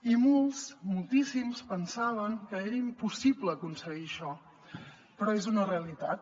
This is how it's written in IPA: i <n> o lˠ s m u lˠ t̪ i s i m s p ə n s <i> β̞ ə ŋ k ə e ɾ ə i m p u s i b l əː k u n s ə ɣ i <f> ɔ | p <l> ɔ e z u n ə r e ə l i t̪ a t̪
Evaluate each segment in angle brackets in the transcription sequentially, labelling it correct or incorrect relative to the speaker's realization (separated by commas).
incorrect, incorrect, incorrect, incorrect